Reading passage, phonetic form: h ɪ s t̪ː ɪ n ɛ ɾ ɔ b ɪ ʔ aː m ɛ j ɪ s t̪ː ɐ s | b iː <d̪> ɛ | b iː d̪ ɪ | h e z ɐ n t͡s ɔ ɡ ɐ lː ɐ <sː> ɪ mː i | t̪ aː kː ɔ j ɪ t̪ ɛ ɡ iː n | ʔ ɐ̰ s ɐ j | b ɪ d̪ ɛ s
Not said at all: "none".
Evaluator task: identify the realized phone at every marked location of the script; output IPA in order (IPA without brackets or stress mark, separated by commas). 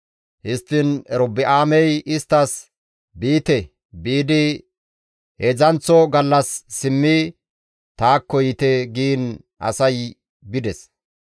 t̪, sː